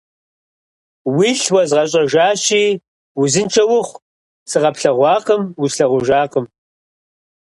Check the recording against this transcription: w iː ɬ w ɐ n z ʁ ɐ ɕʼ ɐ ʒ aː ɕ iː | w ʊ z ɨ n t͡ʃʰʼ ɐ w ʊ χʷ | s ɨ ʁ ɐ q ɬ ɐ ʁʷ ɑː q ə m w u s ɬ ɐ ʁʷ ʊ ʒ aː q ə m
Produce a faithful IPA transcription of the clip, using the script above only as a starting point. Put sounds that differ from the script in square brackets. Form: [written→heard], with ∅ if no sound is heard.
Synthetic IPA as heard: w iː ɬ w ɐ [n→∅] z ʁ ɐ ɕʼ ɐ ʒ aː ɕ iː | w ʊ z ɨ n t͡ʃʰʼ ɐ w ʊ χʷ | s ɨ ʁ ɐ [q→p] ɬ ɐ ʁʷ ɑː q ə m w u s ɬ ɐ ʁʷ ʊ ʒ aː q ə m